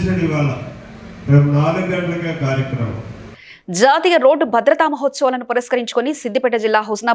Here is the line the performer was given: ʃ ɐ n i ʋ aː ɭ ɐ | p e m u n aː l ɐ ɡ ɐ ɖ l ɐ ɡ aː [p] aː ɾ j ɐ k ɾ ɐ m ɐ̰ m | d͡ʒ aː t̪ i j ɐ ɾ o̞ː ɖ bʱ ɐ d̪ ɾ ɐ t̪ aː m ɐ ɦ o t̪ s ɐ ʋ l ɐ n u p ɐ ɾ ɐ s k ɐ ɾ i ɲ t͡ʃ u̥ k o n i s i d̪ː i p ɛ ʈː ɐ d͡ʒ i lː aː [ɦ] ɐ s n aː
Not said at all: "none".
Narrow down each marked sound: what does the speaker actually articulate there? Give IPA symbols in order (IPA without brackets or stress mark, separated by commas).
k, ɦ